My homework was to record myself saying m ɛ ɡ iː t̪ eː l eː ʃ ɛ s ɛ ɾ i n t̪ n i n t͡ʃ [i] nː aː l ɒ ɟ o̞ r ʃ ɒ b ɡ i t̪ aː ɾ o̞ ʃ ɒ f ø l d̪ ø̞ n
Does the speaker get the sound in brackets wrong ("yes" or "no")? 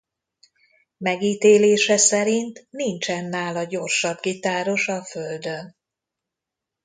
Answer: yes